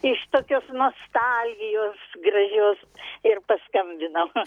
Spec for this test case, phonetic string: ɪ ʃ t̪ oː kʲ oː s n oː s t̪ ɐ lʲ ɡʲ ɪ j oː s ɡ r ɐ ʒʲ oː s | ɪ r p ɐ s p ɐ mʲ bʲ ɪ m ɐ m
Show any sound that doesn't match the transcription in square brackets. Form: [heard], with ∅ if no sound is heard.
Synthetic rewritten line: ɪ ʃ t̪ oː kʲ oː s n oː s t̪ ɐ lʲ ɡʲ ɪ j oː s ɡ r ɐ ʒʲ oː s | ɪ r p ɐ s [k] ɐ mʲ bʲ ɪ [n] ɐ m